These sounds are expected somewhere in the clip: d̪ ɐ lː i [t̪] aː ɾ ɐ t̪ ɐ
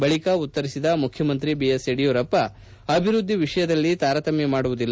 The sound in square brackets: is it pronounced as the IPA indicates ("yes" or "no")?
yes